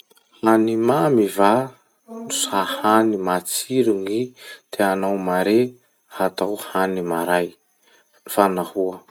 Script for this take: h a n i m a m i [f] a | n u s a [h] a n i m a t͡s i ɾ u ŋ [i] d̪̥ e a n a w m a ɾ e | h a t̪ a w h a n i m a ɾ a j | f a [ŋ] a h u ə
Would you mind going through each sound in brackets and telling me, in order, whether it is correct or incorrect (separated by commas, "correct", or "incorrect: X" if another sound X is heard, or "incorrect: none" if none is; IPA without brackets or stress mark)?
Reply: incorrect: v, correct, correct, incorrect: n